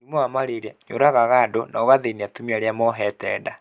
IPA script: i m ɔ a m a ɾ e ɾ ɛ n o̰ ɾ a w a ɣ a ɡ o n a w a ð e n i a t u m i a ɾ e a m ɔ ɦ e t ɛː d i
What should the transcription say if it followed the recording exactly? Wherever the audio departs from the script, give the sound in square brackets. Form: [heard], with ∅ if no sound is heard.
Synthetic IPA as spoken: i m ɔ a m a ɾ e ɾ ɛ [ɲ] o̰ ɾ a [ɣ] a ɣ a [d] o n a [ɣ] a ð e n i a t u m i a ɾ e a m ɔ ɦ [ɛ] t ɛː d [a]